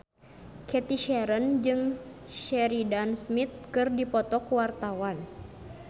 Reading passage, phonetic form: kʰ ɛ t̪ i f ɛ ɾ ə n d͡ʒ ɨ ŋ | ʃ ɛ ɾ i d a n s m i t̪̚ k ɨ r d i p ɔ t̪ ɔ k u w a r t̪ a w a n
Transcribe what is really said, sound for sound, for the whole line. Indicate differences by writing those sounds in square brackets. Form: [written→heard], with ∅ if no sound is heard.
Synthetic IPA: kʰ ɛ t̪ i [f→ʃ] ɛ ɾ ə n d͡ʒ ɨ ŋ | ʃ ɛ ɾ i d a n s m i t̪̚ k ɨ r d i p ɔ t̪ ɔ k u w a r t̪ a w a n